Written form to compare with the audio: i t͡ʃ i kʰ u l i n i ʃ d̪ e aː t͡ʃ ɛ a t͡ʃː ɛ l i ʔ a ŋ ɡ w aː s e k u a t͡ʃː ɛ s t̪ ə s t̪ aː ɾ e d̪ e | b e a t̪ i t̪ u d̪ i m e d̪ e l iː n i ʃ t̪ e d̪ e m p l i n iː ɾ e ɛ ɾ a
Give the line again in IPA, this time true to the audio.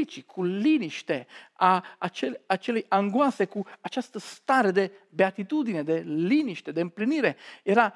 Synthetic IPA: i t͡ʃ i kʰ u l i n i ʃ t̪ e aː t͡ʃ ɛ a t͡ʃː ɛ l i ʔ a ŋ ɡ w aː s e k u a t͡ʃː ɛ s t̪ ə s t̪ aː ɾ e d̪ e | b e a t̪ i t̪ u d̪ i n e d̪ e l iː n i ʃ t̪ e d̪ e m p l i n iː ɾ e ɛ ɾ a